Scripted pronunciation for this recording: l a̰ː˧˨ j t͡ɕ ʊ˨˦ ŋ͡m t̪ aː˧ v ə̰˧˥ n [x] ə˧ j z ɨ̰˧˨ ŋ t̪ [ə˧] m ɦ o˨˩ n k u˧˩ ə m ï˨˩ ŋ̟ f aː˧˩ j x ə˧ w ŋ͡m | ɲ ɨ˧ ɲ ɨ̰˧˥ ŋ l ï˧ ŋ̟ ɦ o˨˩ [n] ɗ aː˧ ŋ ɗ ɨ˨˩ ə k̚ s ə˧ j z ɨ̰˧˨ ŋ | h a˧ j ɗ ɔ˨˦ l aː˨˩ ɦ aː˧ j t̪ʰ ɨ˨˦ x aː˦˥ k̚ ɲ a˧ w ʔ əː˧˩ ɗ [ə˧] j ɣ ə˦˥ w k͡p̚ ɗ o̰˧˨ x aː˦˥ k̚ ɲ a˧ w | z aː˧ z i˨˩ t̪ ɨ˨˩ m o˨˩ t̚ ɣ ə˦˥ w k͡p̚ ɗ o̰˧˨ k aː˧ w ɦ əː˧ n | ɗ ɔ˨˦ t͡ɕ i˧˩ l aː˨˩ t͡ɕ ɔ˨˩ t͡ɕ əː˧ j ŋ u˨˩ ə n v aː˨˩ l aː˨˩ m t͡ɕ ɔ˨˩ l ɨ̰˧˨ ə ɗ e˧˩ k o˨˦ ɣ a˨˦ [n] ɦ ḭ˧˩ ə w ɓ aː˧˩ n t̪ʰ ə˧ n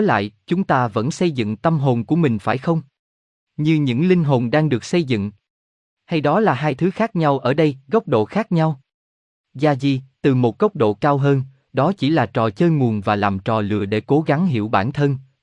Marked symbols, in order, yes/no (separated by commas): no, yes, yes, yes, no